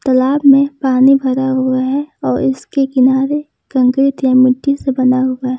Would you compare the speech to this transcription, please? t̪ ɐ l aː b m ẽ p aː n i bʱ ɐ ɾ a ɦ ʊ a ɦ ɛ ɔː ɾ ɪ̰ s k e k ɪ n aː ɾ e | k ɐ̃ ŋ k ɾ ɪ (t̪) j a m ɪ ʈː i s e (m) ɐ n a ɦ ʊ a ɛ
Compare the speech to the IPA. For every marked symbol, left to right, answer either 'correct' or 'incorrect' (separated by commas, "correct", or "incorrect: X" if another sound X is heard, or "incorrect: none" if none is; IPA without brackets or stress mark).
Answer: correct, incorrect: b